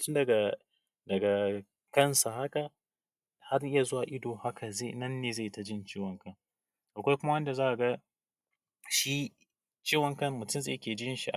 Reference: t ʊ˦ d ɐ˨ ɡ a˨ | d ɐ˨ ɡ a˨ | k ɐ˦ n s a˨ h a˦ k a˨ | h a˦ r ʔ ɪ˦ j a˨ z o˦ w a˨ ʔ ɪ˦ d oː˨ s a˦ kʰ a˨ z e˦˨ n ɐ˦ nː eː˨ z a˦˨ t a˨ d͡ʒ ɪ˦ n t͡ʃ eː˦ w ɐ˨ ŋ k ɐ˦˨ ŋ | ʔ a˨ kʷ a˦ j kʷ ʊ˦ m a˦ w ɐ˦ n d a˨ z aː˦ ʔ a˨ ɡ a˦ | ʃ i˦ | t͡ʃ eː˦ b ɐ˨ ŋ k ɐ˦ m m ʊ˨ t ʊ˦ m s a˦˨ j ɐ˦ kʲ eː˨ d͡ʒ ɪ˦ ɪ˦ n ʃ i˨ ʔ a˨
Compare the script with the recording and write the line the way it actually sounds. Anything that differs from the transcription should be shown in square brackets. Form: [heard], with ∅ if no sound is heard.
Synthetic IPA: t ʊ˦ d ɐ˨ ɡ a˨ | d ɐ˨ ɡ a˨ | k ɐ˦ n s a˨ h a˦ k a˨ | h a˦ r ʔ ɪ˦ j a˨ z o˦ w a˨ ʔ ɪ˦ d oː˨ [h] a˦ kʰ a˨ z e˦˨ n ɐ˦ nː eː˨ z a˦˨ t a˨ d͡ʒ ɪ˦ n t͡ʃ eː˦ w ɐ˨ ŋ k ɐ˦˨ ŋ | ʔ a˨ kʷ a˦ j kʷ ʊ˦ m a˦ w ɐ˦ n d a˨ z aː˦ ʔ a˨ ɡ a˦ | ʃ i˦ | t͡ʃ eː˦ [w] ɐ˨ ŋ k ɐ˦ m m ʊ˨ t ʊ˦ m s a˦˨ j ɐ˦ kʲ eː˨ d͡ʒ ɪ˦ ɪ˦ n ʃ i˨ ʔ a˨